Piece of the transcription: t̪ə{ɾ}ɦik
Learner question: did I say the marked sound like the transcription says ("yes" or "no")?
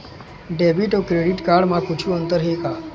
yes